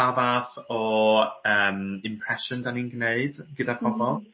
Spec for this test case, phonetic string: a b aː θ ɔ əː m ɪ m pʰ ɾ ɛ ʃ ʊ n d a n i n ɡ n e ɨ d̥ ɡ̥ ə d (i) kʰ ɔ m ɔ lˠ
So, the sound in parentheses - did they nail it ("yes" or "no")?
no